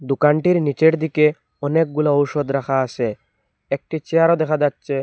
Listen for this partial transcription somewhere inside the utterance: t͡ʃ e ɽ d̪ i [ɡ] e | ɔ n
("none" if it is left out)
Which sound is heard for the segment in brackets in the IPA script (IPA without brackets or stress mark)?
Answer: k